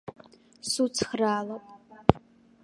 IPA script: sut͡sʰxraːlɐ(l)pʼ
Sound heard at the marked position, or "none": none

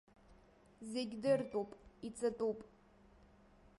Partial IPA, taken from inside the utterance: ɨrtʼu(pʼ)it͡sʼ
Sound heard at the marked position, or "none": pʼ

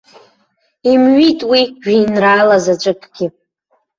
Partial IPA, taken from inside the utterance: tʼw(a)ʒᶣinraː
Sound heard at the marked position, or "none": i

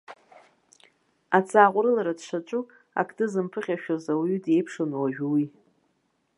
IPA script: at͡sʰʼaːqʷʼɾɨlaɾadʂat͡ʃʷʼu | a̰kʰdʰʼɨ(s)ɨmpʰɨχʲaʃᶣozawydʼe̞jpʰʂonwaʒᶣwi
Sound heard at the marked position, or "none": z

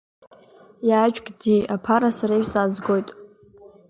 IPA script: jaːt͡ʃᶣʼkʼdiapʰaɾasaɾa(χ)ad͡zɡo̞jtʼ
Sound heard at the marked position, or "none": s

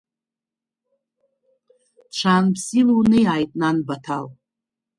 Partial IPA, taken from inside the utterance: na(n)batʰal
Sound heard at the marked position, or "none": n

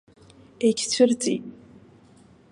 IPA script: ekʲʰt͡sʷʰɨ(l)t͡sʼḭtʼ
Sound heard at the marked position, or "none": r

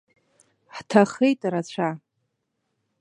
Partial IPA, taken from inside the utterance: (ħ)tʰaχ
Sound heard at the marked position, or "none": ħ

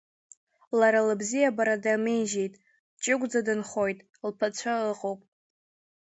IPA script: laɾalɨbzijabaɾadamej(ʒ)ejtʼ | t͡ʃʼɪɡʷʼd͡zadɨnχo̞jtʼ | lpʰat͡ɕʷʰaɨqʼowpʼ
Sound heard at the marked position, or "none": ʒ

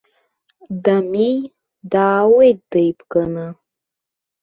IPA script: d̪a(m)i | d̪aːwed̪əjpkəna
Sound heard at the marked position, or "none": m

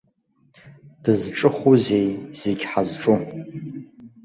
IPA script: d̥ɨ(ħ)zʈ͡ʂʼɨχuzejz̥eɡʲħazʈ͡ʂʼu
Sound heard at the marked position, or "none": none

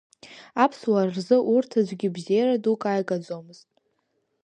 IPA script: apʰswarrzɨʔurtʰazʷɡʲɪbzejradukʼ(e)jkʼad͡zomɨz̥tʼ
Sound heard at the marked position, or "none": a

